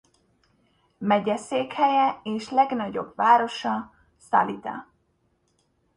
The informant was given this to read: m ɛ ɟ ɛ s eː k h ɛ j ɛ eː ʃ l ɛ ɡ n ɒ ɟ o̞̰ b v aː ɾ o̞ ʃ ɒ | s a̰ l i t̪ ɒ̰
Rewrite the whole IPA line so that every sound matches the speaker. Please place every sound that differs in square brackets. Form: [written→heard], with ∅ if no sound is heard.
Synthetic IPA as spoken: m ɛ ɟ ɛ s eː k h ɛ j ɛ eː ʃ l ɛ ɡ n ɒ ɟ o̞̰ b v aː ɾ o̞ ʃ ɒ | s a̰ l i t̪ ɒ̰